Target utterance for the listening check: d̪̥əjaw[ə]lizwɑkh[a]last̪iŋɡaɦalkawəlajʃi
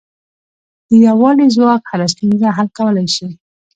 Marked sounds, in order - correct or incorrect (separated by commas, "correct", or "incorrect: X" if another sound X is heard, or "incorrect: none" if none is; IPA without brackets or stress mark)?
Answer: incorrect: ɑ, correct